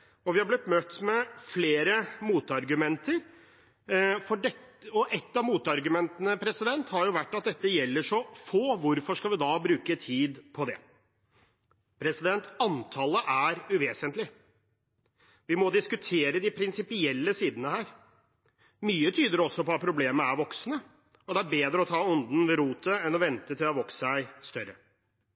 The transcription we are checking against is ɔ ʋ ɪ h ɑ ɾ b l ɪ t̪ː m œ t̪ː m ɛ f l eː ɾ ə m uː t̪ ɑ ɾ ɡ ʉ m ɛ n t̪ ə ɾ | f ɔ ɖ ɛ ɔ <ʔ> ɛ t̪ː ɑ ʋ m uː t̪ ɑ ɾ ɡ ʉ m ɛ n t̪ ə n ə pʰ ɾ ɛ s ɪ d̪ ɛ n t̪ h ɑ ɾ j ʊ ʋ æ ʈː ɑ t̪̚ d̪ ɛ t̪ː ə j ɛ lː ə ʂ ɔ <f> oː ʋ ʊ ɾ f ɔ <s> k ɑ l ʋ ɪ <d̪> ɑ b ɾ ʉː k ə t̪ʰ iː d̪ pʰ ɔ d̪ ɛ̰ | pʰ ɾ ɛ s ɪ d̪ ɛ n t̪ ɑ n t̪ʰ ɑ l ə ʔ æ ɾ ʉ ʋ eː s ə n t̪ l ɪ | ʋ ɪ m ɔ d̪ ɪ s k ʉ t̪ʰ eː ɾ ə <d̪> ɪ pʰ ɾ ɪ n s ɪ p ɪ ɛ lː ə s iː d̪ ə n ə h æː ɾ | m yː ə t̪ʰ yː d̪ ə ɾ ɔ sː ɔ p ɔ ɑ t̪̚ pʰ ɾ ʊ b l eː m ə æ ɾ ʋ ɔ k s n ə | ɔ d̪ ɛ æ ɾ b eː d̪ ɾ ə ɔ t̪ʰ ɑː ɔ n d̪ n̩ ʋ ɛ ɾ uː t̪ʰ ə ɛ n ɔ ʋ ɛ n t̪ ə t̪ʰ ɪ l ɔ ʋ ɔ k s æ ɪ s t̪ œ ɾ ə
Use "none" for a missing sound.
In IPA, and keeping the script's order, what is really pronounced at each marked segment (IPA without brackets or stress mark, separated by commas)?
ʔ, f, ʂ, d̪, d̪